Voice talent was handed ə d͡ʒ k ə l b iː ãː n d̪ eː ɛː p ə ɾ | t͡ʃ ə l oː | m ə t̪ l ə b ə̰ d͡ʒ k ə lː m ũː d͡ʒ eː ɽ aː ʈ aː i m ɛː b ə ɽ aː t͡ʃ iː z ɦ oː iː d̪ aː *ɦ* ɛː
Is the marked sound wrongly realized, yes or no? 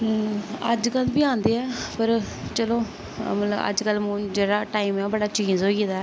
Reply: yes